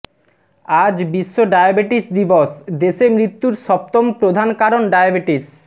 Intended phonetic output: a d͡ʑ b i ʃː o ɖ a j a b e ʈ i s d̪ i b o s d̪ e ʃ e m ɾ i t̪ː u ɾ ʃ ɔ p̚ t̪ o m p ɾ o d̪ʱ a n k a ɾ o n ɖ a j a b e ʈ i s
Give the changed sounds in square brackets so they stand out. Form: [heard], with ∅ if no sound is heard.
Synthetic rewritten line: a d͡ʑ b i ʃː o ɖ a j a b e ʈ i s d̪ i b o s d̪ e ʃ e m ɾ i t̪ː u ɾ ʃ ɔ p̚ t̪ o m p ɾ o d̪ʱ a n k a ɾ o n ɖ a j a b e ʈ i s